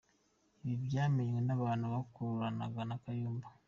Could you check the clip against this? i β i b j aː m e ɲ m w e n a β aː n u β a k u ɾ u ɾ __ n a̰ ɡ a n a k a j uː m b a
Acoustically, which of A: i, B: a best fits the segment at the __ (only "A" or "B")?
B